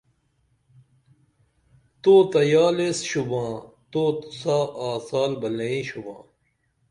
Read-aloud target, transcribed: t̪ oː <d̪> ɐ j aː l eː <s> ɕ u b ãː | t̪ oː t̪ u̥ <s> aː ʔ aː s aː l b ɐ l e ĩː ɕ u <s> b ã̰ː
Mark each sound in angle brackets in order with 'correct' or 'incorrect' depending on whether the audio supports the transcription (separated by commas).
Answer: incorrect, correct, correct, incorrect